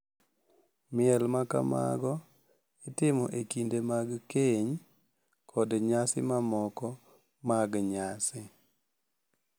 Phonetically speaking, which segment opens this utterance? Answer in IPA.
m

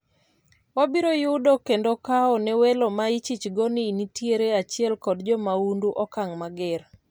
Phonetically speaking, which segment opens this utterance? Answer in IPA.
w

